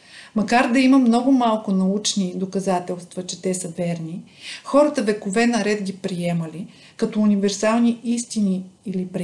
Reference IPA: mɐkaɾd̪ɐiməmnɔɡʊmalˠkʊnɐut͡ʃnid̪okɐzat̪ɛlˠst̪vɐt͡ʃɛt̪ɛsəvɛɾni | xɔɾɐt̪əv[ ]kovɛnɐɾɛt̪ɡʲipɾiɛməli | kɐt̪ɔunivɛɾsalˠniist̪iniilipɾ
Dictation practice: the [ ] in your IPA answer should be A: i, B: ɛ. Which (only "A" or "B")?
B